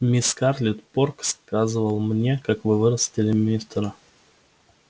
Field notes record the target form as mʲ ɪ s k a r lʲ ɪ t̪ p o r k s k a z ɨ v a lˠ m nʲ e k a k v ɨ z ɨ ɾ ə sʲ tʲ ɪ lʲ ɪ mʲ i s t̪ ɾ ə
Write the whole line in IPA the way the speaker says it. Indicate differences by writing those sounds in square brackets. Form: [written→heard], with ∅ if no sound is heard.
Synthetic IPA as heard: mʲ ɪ s k a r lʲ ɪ t̪ p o r k s k a z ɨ v [a→ə] lˠ m nʲ e k a k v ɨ [z→v] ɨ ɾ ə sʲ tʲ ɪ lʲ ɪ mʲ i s t̪ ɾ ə